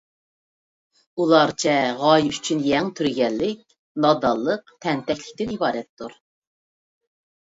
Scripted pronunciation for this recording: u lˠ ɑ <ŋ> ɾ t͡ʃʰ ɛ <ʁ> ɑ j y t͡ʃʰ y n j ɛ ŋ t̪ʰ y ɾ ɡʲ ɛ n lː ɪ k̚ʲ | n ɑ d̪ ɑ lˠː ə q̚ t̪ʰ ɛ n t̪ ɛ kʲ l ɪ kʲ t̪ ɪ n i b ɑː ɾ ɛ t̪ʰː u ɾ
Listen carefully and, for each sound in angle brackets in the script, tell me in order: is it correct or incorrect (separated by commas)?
incorrect, correct